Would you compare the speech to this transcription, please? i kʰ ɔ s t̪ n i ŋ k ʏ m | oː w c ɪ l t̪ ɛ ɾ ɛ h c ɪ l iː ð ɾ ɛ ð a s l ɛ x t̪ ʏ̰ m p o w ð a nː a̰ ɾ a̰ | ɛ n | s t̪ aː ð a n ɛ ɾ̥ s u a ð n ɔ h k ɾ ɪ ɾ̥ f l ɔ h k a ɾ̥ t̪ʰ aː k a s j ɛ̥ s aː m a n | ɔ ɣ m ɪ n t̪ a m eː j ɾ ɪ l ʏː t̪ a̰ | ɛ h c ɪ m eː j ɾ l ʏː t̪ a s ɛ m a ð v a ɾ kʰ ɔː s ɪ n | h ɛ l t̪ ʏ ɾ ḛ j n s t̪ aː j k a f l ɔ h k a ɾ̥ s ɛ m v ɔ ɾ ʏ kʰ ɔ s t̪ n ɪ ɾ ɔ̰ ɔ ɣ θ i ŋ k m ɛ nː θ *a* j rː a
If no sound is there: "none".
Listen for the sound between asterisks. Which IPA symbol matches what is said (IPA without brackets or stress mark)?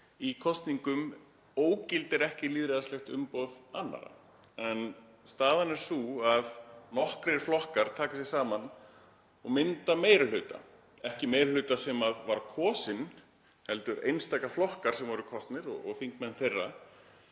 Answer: e